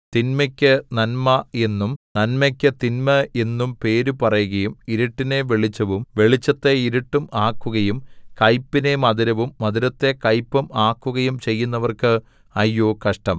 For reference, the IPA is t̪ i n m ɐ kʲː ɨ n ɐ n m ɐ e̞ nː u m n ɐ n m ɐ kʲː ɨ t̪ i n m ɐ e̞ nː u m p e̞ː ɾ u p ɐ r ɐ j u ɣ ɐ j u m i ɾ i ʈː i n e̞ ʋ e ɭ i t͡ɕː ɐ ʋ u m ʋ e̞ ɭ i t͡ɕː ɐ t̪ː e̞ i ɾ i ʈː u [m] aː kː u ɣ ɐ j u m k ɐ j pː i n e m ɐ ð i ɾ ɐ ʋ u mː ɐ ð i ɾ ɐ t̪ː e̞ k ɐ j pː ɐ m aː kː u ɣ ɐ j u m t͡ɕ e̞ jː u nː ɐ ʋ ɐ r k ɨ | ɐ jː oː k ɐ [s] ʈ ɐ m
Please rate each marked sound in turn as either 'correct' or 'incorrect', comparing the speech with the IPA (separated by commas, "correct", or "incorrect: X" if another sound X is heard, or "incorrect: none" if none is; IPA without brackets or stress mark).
correct, incorrect: ʂ